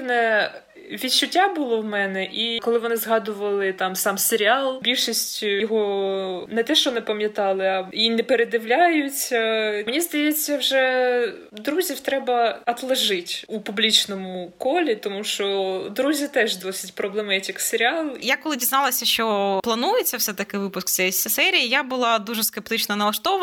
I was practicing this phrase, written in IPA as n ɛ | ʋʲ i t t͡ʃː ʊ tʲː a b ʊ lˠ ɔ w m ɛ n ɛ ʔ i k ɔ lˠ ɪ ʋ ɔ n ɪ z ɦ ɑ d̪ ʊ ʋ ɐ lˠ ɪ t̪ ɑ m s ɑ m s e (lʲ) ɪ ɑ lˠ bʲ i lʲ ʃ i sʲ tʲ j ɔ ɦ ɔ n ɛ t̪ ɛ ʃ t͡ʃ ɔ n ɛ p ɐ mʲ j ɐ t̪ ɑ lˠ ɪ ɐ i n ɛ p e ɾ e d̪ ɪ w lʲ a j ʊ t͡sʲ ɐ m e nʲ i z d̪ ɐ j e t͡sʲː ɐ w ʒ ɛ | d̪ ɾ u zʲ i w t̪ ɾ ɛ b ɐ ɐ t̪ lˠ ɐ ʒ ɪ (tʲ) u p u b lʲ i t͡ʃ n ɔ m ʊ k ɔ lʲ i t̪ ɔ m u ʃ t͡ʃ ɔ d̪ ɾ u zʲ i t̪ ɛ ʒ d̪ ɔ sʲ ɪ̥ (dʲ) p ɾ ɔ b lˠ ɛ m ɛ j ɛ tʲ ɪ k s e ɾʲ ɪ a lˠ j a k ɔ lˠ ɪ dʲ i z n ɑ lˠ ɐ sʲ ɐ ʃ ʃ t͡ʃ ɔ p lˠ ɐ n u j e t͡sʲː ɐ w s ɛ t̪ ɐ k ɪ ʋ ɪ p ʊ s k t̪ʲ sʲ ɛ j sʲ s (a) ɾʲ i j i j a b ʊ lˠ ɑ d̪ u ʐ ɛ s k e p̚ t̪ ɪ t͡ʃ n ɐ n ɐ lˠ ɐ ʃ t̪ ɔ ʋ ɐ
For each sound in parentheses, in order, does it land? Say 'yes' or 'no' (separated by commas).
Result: no, yes, no, no